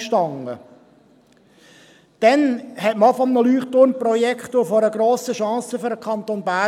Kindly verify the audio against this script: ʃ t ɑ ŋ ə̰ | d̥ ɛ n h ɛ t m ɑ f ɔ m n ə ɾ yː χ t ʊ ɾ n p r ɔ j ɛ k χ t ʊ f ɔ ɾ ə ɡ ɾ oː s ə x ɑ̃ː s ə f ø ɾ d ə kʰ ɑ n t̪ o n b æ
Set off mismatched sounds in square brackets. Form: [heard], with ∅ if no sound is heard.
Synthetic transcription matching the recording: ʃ t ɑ ŋ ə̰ | d̥ ɛ n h ɛ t m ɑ f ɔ m n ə [l] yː χ t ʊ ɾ n p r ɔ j ɛ k χ t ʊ f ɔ ɾ ə ɡ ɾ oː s ə [ʃ] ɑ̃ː s ə f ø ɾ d ə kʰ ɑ n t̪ o n b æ